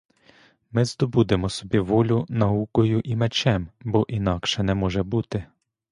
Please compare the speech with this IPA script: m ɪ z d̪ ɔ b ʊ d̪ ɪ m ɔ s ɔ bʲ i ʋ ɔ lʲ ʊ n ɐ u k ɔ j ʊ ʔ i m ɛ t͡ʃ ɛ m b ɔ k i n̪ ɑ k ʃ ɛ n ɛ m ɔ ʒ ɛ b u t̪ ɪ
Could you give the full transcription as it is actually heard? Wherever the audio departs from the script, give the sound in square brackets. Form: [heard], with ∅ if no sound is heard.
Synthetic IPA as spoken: m ɪ z d̪ ɔ b [u] d̪ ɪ m ɔ s ɔ bʲ i ʋ ɔ lʲ ʊ n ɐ u k ɔ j ʊ ʔ i m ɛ t͡ʃ ɛ m b ɔ [ʔ] i n̪ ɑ k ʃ ɛ n ɛ m ɔ ʒ ɛ b u t̪ ɪ